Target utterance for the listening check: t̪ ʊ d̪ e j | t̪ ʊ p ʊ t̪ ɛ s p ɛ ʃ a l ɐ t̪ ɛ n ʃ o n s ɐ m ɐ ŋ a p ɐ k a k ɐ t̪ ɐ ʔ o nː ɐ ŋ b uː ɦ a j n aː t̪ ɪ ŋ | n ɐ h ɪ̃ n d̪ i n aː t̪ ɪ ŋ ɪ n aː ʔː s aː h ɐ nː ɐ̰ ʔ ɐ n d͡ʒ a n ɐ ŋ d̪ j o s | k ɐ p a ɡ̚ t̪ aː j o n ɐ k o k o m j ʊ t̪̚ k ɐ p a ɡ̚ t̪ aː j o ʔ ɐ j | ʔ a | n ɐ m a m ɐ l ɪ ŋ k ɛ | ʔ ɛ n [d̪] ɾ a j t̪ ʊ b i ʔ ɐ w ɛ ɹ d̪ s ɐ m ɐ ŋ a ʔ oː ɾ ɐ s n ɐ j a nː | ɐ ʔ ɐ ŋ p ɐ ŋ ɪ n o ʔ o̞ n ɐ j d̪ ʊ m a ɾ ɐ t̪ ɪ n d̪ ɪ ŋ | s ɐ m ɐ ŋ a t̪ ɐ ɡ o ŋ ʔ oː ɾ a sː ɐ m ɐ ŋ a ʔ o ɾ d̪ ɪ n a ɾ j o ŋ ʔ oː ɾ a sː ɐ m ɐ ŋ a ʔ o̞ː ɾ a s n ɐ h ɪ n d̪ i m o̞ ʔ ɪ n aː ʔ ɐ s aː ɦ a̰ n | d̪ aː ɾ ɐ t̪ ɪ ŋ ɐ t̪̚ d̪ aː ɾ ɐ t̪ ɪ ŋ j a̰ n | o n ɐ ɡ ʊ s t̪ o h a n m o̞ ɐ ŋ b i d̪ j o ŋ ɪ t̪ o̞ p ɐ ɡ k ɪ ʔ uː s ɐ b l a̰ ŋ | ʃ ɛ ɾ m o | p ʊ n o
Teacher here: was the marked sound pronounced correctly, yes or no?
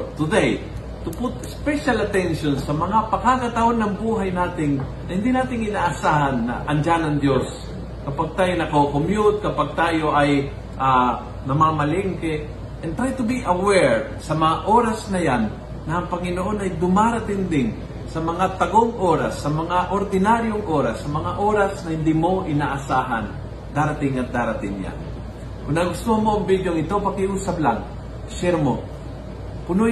no